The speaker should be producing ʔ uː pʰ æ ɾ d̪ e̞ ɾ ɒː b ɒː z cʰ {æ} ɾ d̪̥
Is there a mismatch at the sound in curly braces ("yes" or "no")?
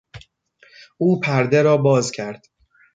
no